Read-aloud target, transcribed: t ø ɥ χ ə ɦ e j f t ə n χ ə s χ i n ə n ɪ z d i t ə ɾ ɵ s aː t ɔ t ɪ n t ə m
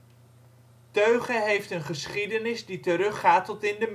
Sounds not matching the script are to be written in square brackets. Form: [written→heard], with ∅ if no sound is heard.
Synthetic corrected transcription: t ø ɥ χ ə ɦ e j f t ə n χ ə s χ i [n→d] ə n ɪ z d i t ə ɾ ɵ [s→χ] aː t ɔ t ɪ n [t→d] ə m